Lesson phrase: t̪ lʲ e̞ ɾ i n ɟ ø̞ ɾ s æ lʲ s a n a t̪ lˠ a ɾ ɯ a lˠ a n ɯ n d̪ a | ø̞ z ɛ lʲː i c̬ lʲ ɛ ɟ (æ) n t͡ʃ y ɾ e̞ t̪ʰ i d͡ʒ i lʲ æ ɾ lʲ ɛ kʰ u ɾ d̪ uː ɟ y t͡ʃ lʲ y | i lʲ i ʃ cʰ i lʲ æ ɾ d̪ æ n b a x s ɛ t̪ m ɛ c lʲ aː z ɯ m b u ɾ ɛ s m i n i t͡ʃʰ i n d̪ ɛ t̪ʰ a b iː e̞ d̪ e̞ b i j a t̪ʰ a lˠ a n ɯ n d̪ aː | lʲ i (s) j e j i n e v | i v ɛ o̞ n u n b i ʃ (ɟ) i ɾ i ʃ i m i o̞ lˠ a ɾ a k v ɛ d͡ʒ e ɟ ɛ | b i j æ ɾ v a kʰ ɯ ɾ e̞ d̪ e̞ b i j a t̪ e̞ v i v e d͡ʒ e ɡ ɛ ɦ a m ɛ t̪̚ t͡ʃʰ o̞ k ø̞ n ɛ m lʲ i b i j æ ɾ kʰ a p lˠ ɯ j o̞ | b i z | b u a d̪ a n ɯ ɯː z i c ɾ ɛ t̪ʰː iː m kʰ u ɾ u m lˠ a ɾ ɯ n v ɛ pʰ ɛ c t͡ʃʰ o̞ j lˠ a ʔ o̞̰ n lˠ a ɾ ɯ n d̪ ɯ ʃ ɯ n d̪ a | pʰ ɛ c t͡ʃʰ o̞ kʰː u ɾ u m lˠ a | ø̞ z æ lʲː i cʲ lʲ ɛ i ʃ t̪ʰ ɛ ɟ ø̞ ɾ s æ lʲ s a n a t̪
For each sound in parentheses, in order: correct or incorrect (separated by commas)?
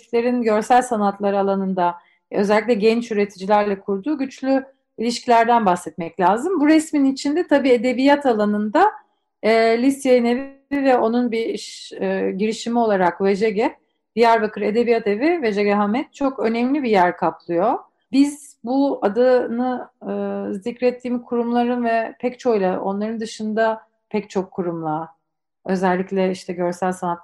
incorrect, correct, correct